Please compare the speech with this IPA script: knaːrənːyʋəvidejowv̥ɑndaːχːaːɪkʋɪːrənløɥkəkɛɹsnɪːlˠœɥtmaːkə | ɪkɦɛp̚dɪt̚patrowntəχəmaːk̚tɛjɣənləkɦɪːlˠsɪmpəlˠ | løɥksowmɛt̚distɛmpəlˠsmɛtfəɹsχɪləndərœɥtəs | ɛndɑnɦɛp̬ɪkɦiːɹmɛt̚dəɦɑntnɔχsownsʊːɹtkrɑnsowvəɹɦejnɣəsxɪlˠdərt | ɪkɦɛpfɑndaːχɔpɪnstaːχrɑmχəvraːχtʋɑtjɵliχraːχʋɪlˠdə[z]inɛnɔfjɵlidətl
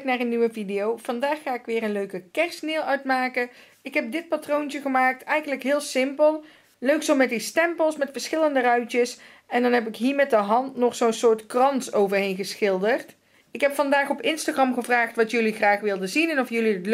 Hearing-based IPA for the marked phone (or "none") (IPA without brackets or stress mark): z